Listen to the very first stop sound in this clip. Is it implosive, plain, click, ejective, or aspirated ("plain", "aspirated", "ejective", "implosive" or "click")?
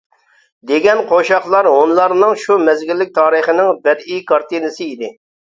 plain